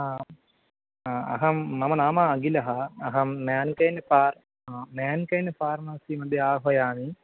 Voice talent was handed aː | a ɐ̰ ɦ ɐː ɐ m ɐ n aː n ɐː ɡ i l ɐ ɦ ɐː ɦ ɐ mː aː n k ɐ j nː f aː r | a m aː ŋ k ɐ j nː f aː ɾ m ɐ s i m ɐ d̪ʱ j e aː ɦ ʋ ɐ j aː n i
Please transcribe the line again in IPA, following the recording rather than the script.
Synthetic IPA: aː | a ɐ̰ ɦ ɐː ɐ m ɐ n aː m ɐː ɡ i l ɐ ɦ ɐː ɦ ɐ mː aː n k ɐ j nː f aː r | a m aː n k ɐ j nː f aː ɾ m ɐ s i m ɐ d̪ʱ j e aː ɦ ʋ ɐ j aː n i